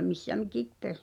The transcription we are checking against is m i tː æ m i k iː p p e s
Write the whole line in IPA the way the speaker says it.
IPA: m i sː æ m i k i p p e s